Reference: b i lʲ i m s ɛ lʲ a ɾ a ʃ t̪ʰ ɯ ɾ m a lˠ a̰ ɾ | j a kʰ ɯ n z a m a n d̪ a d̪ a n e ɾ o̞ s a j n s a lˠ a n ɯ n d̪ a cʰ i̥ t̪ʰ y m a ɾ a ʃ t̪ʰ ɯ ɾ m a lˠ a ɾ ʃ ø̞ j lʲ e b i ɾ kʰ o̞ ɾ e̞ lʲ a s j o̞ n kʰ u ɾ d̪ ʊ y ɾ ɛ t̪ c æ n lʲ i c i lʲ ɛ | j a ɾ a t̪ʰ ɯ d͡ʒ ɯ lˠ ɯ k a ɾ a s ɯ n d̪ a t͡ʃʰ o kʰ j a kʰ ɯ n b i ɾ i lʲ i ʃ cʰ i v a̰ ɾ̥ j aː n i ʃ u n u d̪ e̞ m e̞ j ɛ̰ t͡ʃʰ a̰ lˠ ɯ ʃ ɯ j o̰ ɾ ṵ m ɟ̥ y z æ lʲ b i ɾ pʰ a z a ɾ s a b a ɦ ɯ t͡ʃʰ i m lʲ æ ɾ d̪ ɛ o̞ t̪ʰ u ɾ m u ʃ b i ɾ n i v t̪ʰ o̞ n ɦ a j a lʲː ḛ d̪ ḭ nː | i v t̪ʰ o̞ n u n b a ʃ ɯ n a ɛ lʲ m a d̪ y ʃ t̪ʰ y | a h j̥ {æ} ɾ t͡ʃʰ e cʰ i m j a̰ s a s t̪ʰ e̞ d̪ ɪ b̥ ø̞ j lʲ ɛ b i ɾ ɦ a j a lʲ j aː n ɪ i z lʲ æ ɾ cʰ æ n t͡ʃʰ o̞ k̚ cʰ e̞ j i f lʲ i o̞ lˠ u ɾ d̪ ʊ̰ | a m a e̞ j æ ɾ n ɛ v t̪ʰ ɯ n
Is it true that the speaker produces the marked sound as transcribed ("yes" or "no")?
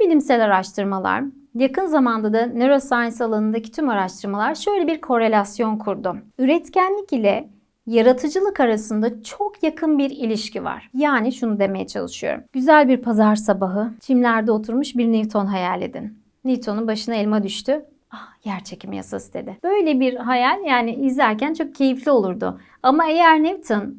yes